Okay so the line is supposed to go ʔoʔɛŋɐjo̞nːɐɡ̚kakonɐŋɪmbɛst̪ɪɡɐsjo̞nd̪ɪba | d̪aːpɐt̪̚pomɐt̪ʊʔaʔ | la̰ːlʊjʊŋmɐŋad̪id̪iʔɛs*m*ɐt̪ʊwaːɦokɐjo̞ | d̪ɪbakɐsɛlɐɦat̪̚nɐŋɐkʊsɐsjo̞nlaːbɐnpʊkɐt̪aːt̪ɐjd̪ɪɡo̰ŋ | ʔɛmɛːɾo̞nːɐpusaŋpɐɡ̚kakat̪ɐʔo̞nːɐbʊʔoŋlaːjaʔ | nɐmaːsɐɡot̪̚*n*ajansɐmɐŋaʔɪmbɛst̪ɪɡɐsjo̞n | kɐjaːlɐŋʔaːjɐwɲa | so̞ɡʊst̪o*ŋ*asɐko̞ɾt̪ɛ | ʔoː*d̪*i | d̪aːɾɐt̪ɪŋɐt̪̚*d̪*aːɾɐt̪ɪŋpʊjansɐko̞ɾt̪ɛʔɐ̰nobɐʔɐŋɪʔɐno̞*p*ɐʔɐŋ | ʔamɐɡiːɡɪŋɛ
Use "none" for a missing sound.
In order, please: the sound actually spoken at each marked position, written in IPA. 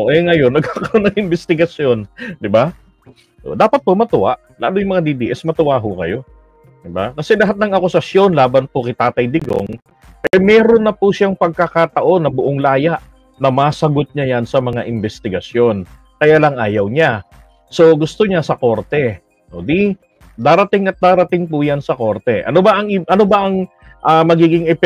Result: m, ɲ, ɲ, d̪, d̪, b

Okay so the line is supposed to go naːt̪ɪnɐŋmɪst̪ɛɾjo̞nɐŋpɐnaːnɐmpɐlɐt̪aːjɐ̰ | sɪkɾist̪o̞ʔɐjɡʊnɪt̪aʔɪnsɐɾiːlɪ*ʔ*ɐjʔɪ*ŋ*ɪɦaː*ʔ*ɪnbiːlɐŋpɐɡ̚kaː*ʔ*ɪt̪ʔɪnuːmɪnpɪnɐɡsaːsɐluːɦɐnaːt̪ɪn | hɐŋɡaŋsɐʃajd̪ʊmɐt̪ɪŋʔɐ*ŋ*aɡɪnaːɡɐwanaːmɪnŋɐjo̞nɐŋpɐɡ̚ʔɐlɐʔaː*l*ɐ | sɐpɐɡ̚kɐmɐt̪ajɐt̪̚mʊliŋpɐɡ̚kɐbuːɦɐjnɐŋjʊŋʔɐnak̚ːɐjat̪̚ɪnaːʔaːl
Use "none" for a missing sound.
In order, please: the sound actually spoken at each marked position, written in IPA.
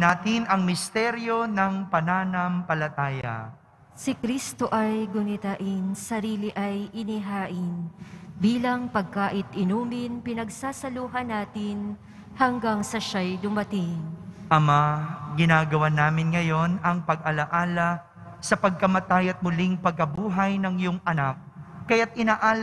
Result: ʔ, n, ʔ, ʔ, m, l

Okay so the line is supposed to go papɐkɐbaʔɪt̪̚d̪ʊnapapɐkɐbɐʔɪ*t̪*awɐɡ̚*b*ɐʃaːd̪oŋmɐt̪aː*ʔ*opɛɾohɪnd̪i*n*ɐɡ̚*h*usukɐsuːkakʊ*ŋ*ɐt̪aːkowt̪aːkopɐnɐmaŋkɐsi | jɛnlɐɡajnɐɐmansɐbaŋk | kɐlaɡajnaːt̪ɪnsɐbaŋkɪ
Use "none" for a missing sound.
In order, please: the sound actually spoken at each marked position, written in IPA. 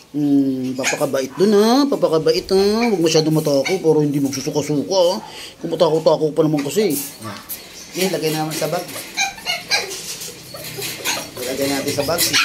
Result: t̪, m, k, m, s, m

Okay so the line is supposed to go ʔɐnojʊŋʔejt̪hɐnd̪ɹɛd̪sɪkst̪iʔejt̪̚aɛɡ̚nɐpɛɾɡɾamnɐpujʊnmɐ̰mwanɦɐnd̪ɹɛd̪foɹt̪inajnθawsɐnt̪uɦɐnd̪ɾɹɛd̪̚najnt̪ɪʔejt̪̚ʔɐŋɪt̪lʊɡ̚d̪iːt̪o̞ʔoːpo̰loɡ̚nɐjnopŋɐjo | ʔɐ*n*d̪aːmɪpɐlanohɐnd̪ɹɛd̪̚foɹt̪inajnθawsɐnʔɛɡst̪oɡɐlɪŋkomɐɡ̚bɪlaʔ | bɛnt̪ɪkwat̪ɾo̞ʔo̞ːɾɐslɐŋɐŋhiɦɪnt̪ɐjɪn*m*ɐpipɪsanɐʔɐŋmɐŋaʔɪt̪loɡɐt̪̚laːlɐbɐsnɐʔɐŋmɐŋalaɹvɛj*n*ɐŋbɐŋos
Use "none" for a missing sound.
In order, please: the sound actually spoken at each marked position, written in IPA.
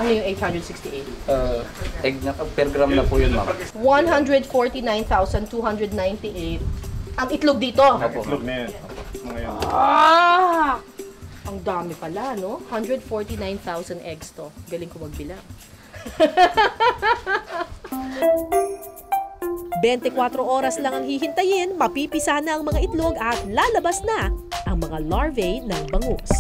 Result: ŋ, m, n

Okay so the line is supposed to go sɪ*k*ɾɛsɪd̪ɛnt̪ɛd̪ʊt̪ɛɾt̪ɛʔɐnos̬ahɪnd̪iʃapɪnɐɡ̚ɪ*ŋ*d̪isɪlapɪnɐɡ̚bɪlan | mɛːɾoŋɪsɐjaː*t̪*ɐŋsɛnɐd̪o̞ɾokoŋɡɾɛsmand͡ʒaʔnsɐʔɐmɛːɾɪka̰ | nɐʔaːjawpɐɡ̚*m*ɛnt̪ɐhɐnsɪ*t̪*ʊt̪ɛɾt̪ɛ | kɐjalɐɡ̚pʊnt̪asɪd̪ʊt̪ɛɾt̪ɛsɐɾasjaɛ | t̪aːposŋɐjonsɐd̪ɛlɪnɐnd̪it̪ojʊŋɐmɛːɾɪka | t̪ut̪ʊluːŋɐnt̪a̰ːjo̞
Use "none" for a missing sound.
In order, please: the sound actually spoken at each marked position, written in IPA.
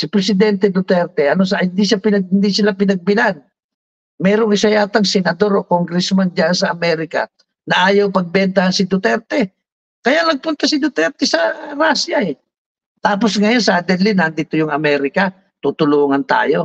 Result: p, n, t̪, b, d̪

